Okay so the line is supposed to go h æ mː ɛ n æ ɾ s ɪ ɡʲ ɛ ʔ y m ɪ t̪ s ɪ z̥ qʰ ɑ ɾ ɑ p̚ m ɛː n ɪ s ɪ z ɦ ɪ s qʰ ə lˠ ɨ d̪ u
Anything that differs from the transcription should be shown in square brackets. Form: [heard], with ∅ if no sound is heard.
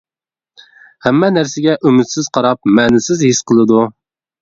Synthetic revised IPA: h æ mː ɛ n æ ɾ s ɪ ɡʲ ɛ ʔ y m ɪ t̪ s ɪ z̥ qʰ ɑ ɾ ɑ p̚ m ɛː n ɪ s ɪ z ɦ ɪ s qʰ ə lˠ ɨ d̪ u